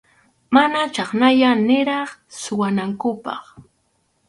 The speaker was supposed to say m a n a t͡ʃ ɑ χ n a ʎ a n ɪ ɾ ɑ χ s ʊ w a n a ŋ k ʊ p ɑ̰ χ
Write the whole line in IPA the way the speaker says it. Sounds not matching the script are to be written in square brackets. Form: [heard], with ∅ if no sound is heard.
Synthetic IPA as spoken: m a n a t͡ʃ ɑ χ n a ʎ a n ɪ ɾ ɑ χ s ʊ w a n a ŋ k ʊ p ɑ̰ χ